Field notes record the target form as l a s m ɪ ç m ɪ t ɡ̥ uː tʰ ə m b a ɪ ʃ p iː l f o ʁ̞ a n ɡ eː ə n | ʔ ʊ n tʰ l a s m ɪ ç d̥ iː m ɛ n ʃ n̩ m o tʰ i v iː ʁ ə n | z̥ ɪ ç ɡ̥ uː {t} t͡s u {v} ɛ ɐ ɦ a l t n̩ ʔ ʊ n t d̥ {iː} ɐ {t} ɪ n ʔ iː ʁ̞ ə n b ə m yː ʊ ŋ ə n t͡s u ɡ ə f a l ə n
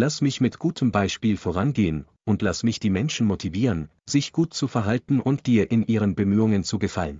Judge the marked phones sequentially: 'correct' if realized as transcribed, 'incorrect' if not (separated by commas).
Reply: correct, incorrect, correct, incorrect